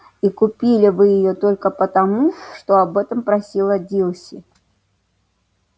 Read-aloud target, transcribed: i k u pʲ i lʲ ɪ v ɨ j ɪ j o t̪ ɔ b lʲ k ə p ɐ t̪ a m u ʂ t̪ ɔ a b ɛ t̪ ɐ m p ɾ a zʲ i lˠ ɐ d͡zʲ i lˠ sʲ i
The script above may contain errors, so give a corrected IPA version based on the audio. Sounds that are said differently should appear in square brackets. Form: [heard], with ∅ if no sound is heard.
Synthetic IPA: i k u pʲ i lʲ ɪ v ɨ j ɪ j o t̪ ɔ [∅] lʲ k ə p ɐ t̪ a m u ʂ t̪ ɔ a b ɛ t̪ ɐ m p ɾ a [sʲ] i lˠ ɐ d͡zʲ i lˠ sʲ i